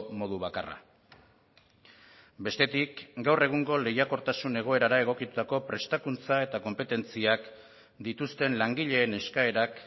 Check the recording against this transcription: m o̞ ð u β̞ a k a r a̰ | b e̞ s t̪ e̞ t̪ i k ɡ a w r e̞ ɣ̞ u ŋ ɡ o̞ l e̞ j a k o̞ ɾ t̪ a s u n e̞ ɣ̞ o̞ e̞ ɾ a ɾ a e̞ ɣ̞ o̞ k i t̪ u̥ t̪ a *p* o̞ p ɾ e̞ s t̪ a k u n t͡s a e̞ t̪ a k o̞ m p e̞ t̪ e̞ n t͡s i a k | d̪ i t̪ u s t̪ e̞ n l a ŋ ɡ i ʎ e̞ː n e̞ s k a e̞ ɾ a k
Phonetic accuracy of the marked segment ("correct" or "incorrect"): incorrect